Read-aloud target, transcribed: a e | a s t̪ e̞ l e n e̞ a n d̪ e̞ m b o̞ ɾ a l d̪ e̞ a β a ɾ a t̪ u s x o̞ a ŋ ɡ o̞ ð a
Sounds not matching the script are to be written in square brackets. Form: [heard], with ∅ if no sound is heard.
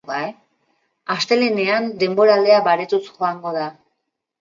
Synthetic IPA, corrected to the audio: a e | a s t̪ e̞ l e n e̞ a n d̪ e̞ m b o̞ ɾ a l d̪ e̞ a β a ɾ [e] t̪ u s x o̞ a ŋ ɡ o̞ ð a

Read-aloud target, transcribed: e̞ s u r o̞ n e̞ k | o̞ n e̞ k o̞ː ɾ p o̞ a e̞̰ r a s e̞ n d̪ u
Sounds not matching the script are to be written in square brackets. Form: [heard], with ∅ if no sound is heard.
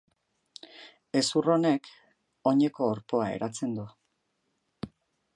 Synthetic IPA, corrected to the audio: e̞ s u r o̞ n e̞ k | o̞ [ɲ] e̞ k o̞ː ɾ p o̞ a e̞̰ [ɾ] a [t͡s] e̞ n d̪ u

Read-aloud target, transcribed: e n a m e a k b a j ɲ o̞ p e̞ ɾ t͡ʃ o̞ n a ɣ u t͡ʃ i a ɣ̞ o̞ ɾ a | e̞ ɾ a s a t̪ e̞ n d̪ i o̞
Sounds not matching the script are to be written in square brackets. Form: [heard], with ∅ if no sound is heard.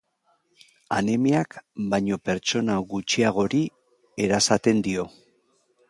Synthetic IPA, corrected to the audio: [a] n [e] m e a k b a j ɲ o̞ p e̞ ɾ t͡ʃ o̞ n a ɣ u t͡ʃ i a ɣ̞ o̞ ɾ [i] | e̞ ɾ a s a t̪ e̞ n d̪ i o̞

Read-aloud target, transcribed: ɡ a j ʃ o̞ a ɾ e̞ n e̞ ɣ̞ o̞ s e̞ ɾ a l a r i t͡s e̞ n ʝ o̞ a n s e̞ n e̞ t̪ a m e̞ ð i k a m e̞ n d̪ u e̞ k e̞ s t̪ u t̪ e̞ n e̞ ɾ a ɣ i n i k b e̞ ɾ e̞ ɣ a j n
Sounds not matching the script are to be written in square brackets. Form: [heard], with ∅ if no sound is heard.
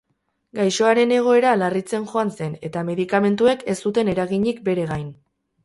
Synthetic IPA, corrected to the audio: ɡ a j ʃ o̞ a ɾ e̞ n e̞ ɣ̞ o̞ [∅] e̞ ɾ a l a r i t͡s e̞ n ʝ o̞ a n s e̞ n e̞ t̪ a m e̞ ð i k a m e̞ n [t̪] u e̞ k e̞ s t̪ u t̪ e̞ n e̞ ɾ a ɣ i [ɲ] i k b e̞ ɾ e̞ ɣ a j n

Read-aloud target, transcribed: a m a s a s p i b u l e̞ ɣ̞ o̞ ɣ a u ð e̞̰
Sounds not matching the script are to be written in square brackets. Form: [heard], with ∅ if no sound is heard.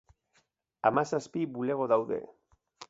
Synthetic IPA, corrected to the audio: a m a s a s p i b u l e̞ ɣ̞ o̞ [ð] a [w] ð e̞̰

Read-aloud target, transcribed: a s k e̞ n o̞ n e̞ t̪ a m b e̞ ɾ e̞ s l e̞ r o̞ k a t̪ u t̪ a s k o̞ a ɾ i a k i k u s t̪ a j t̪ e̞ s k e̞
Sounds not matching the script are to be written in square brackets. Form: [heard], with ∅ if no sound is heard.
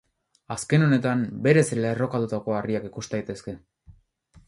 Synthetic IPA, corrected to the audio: a s k e̞ n o̞ n e̞ t̪ a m b e̞ ɾ e̞ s l e̞ r o̞ k a t̪ u t̪ a [∅] k o̞ a [r] i a k i k u s t̪ a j t̪ e̞ s k e̞

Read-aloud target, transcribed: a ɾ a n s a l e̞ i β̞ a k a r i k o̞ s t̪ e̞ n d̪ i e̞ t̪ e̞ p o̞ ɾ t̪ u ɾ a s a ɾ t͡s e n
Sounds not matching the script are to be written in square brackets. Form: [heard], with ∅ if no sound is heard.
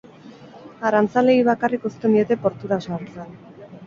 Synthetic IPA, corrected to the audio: a ɾ a n [t͡s] a l e̞ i β̞ a k a r i k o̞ s t̪ e̞ n d̪ i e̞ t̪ e̞ p o̞ ɾ t̪ u ɾ a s a ɾ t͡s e n

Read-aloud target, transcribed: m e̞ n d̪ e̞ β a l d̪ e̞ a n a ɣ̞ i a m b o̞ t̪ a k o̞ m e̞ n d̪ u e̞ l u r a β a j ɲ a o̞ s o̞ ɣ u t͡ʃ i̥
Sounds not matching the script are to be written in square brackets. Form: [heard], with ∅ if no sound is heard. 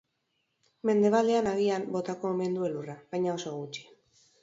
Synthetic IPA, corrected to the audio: m e̞ n d̪ e̞ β a l d̪ e̞ a n a ɣ̞ i a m b o̞ t̪ a k o̞ m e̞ n d̪ u e̞ l u r a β a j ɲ a o̞ s o̞ ɣ u t͡ʃ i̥

